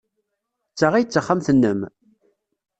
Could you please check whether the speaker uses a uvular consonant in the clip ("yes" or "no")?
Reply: yes